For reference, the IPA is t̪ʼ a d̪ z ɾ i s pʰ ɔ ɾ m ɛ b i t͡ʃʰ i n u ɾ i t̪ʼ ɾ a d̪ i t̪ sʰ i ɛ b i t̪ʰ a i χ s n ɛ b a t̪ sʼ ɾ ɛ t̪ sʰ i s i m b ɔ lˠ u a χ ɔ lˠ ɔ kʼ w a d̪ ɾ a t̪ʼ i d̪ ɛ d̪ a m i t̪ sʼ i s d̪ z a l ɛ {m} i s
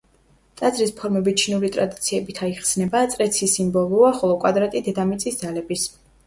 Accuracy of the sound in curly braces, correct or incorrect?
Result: incorrect